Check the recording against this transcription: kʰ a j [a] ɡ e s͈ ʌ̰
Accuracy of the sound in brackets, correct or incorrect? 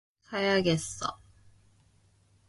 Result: correct